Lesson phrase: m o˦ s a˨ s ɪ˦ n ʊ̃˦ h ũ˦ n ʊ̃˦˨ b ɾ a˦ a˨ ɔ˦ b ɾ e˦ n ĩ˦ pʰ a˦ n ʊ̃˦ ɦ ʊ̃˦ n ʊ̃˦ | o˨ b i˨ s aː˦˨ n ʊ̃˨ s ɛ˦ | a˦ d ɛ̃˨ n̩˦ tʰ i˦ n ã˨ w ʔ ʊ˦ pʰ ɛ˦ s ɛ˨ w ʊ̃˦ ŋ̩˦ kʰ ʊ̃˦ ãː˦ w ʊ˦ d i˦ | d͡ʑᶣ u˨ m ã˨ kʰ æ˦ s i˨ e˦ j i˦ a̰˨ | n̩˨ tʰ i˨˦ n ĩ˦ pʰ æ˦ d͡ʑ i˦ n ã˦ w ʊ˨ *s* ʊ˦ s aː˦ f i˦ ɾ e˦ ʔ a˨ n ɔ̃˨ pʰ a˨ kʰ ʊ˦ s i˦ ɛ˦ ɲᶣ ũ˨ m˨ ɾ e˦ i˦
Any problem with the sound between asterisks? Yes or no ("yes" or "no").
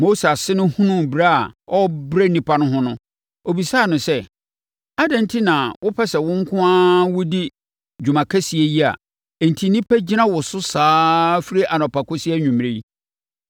no